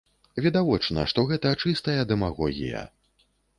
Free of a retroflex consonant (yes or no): no